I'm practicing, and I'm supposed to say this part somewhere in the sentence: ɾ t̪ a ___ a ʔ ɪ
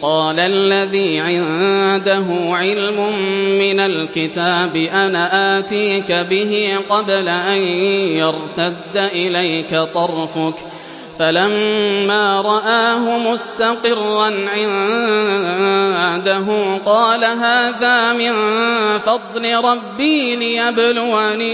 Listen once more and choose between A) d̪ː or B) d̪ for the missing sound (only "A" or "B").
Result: A